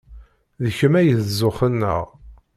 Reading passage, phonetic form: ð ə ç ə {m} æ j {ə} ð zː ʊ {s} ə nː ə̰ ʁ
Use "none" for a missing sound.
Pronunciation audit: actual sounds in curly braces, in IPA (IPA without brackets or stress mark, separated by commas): m, ə, χ